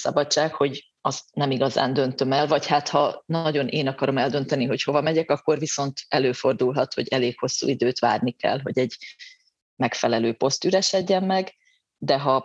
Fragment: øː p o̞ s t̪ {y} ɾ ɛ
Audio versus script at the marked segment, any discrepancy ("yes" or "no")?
no